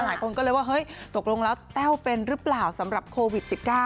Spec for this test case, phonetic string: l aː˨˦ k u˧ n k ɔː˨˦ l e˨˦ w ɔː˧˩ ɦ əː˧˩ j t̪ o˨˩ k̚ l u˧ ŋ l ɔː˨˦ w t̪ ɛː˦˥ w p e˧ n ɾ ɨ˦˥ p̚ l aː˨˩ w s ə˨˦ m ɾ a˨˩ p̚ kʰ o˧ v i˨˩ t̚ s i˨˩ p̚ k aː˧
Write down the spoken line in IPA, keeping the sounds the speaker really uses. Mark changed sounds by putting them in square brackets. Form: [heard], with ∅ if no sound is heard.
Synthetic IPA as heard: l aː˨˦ k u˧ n k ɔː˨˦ l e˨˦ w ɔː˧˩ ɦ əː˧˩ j t̪ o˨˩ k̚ l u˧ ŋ l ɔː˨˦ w t̪ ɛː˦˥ w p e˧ n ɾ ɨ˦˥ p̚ l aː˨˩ w s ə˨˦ m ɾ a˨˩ p̚ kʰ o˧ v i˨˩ t̚ s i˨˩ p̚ k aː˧